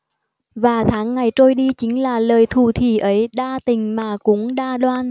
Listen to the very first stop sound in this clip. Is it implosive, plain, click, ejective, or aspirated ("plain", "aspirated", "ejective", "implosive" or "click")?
aspirated